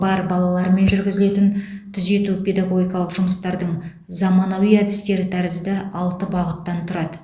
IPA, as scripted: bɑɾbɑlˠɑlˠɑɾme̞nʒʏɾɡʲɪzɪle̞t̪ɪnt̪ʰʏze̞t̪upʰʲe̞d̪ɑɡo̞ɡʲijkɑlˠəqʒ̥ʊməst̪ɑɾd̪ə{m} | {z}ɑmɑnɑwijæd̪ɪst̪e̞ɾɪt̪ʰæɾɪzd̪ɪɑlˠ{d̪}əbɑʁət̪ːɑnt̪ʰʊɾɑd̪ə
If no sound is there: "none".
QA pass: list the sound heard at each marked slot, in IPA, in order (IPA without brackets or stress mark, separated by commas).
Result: ɴ, z, t̪